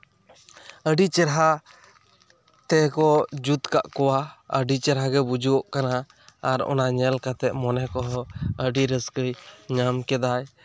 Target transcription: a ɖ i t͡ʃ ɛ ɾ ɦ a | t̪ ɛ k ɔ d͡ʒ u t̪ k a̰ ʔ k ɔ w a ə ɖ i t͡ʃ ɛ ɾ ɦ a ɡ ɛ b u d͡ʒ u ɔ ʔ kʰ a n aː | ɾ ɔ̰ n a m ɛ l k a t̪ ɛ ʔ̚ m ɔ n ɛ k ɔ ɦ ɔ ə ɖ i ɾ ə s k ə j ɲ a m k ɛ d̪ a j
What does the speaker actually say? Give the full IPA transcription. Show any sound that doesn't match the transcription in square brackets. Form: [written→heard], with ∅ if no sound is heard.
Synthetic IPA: [a→ə] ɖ i t͡ʃ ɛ ɾ ɦ a | t̪ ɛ k ɔ d͡ʒ u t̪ k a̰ ʔ k ɔ w a ə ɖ i t͡ʃ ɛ ɾ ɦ a ɡ ɛ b u d͡ʒ u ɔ ʔ [kʰ→k] a n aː | ɾ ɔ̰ n a [m→ɲ] ɛ l k a t̪ ɛ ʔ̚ m ɔ n ɛ k ɔ ɦ ɔ ə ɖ i ɾ ə s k ə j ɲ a m k ɛ d̪ a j